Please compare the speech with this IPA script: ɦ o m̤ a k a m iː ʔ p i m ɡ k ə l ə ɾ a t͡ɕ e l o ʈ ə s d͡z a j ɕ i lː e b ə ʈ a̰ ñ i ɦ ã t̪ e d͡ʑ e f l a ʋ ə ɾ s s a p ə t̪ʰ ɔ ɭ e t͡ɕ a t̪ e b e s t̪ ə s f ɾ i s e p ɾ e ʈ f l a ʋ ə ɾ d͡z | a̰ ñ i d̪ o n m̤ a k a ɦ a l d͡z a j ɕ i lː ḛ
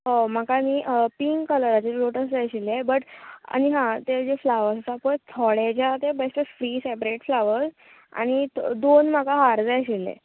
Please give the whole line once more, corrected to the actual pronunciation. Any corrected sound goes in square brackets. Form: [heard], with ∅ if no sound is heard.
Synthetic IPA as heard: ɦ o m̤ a k a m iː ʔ p i [ŋ] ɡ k ə l ə ɾ a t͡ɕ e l o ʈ ə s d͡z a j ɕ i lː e b ə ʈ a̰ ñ i ɦ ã t̪ e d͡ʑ e f l a ʋ ə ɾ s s a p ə t̪ʰ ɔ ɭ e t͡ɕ a t̪ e b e s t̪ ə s f ɾ i s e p ɾ e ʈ f l a ʋ ə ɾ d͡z | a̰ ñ i d̪ o n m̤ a k a ɦ a [ɾ] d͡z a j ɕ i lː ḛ